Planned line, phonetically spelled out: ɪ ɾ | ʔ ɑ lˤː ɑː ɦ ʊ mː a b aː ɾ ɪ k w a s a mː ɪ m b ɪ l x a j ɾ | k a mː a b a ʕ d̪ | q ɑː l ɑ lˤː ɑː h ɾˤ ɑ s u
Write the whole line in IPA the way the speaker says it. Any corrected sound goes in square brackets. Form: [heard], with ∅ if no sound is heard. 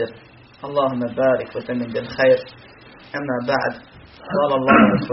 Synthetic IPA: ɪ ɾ | ʔ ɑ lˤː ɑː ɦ ʊ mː a b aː ɾ ɪ k w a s a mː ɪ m b ɪ l x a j ɾ | [ʔ] a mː a b a ʕ d̪ | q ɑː l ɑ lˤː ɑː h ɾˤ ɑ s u